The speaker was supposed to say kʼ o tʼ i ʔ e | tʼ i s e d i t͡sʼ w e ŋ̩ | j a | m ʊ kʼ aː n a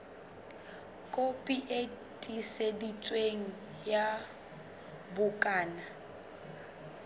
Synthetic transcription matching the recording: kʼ o pʼ i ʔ e | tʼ i s e d i t͡sʼ w e ŋ̩ | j a | b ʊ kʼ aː n a